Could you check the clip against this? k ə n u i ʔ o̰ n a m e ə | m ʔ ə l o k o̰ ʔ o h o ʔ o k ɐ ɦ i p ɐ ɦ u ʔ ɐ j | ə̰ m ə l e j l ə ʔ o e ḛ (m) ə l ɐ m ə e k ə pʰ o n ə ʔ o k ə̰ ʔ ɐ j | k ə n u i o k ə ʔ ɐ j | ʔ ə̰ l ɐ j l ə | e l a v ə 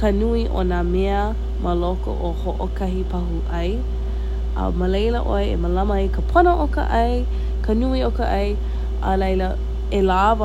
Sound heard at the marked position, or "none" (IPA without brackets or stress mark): m